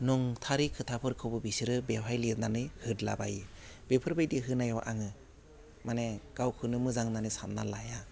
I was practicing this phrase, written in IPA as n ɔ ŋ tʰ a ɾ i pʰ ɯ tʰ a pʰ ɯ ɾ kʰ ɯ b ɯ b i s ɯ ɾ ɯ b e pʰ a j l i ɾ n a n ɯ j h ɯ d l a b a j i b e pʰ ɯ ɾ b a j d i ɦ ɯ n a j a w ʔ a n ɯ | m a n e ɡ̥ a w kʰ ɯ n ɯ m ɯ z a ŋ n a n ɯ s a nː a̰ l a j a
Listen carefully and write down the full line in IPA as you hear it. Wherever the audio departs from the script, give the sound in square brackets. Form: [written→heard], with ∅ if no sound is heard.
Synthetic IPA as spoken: n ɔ ŋ tʰ a ɾ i [pʰ→kʰ] ɯ tʰ a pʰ ɯ ɾ kʰ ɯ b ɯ b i s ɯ ɾ ɯ b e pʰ a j l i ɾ n a n ɯ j h ɯ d l a b a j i b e pʰ ɯ ɾ b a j d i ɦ ɯ n a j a w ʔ a [n→ŋ] ɯ | m a n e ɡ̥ a w kʰ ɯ n ɯ m ɯ z a ŋ n a n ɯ s a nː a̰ l a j a